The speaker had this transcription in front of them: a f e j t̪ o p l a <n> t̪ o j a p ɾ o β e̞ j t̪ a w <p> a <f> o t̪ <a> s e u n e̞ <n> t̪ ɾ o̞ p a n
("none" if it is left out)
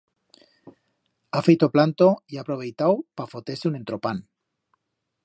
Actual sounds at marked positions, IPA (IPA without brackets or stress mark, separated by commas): n, p, f, e, n